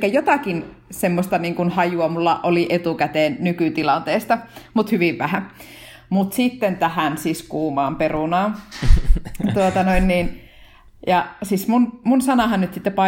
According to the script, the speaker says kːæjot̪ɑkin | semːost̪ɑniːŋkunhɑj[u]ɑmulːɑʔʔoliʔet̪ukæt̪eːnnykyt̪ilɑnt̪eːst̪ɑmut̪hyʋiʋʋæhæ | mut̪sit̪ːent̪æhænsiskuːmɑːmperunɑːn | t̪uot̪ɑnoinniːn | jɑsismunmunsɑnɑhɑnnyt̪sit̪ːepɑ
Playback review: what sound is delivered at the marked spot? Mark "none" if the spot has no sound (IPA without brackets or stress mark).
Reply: u